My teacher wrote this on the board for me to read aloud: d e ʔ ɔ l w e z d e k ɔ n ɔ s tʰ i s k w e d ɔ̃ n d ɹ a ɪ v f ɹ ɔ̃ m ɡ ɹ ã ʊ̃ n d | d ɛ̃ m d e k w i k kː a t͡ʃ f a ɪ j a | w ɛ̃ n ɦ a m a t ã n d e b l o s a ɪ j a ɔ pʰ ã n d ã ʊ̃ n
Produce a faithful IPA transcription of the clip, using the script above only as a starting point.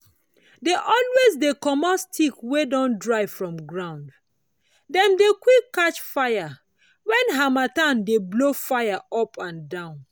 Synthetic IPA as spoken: d e ʔ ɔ l w e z d e k ɔ m ɔ s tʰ i k w e d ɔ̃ n d ɹ a ɪ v f ɹ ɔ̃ m ɡ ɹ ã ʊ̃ n d | d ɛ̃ m d e k w i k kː a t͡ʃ f a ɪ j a | w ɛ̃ n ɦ a m a t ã n d e b l o f a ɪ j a ɔ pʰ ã n d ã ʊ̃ n